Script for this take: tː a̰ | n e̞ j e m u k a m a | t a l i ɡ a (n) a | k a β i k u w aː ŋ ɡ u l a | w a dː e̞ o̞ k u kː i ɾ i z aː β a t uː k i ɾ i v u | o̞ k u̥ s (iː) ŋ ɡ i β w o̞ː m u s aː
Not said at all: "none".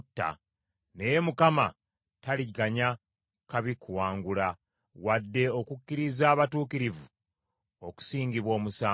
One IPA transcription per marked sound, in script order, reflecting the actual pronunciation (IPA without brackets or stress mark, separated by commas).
ɲ, iː